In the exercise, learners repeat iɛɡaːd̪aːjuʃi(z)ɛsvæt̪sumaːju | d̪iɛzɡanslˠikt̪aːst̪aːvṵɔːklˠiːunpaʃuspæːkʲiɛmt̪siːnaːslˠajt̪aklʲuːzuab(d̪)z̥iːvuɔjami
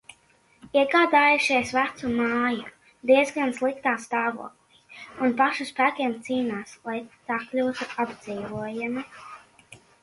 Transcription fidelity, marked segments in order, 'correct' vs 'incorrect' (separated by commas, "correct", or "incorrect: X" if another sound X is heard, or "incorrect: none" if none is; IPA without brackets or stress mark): incorrect: none, correct